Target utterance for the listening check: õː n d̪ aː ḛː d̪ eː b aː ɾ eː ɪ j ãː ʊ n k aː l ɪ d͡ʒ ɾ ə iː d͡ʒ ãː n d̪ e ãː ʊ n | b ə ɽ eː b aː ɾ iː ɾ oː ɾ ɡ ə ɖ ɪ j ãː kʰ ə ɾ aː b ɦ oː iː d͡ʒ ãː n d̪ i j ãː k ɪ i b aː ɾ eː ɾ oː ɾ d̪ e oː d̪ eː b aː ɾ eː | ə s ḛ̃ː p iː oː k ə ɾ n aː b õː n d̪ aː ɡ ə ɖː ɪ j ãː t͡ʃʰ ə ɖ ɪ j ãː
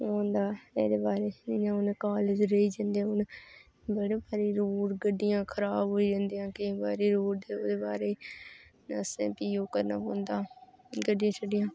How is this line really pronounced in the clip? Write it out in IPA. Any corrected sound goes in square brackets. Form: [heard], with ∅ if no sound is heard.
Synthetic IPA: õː n d̪ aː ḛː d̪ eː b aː ɾ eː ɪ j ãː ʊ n k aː l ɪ d͡ʒ ɾ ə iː d͡ʒ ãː n d̪ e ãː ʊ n | b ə ɽ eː b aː ɾ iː ɾ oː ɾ ɡ ə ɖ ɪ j ãː kʰ ə ɾ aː b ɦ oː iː d͡ʒ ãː n d̪ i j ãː k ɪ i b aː ɾ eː ɾ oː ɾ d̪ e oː d̪ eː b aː ɾ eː | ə s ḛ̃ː p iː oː k ə ɾ n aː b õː n d̪ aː ɡ ə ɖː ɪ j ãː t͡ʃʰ ə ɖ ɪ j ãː